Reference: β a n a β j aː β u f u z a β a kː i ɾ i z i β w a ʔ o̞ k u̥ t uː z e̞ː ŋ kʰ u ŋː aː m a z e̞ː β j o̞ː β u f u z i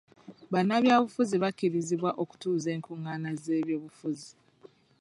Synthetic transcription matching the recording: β a n a β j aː β u f u z i β a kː i ɾ i z i β w a ʔ o̞ k u̥ t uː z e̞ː ŋ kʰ u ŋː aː n a z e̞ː β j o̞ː β u f u z i

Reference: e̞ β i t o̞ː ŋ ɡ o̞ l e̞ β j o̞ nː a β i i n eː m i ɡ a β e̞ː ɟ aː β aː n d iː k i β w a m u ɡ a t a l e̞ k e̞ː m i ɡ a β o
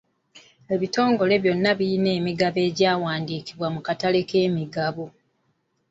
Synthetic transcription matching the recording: e̞ β i t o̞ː ŋ ɡ o̞ l e̞ β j o̞ nː a β i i n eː m i ɡ a β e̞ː ɟ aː w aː n d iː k i β w a m u k a t a l e̞ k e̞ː m i ɡ a β o

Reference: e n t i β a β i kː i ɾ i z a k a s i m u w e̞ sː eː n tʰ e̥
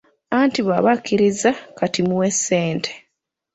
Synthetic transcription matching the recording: a n t i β a β a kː i ɾ i z a k a t i m u w e̞ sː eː n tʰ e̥

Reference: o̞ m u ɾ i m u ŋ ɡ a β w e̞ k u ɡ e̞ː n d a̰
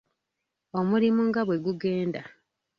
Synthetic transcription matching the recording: o̞ m u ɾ i m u ŋ ɡ a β w e̞ ɡ u ɡ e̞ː n d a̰

